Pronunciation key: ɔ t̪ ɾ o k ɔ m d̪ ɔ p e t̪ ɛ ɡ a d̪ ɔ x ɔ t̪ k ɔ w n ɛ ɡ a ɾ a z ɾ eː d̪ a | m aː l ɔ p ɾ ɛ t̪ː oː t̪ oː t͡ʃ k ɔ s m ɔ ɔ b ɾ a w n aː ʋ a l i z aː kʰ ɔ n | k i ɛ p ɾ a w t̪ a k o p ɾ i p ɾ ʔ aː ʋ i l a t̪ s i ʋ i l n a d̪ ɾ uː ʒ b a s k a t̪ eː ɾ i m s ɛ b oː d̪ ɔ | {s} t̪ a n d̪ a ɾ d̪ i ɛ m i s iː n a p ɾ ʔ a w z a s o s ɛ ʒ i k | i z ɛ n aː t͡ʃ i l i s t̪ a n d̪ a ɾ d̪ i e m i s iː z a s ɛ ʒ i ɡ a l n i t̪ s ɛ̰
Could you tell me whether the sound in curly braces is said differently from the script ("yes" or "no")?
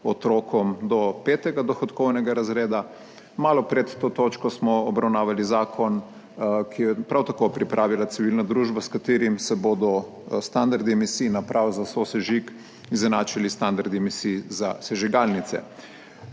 no